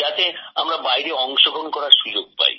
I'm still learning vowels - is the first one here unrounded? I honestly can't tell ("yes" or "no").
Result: yes